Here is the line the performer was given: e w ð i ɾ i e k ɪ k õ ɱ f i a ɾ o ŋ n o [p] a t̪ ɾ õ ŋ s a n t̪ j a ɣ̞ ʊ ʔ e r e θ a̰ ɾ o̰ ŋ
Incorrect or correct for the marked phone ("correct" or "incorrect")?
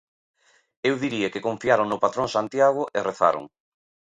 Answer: correct